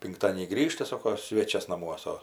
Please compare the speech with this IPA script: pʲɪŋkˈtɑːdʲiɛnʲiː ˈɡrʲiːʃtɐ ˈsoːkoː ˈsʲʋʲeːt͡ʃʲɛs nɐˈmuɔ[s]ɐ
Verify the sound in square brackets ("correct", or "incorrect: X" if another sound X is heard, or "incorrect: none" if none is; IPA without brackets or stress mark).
correct